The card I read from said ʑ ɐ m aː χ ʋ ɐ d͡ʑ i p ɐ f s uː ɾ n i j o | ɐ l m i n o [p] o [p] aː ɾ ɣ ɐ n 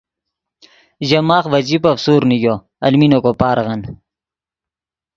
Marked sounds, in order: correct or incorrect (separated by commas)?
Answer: incorrect, correct